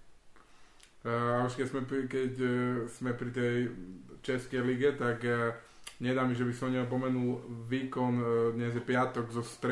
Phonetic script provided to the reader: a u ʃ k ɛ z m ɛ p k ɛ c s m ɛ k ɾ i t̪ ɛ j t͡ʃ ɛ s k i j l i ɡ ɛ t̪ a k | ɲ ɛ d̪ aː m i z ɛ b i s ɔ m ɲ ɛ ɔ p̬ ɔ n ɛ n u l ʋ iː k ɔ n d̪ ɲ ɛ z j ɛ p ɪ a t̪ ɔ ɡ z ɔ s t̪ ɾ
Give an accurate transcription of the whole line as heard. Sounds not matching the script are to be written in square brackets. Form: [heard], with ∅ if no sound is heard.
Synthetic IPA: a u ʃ k ɛ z m ɛ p k ɛ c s m ɛ [p] ɾ i t̪ ɛ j t͡ʃ ɛ s k [ɛ] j l i ɡ ɛ t̪ a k | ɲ ɛ d̪ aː m i [ʒ] ɛ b i s ɔ m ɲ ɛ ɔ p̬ ɔ [m] ɛ n u l ʋ iː k ɔ n d̪ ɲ ɛ z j ɛ p ɪ a t̪ ɔ ɡ z ɔ s t̪ ɾ